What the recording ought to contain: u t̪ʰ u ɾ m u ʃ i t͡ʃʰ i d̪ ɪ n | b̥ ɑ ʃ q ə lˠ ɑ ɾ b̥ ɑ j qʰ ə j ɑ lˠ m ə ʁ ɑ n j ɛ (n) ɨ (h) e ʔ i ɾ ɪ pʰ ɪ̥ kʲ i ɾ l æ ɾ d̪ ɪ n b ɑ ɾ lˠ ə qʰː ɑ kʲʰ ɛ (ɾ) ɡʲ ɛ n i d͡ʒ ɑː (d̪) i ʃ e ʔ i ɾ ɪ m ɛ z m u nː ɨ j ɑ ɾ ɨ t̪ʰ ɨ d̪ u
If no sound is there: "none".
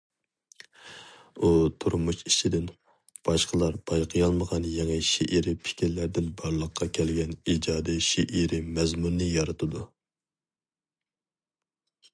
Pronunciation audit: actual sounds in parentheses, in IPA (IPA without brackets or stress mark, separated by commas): ŋ, ʃ, l, d̪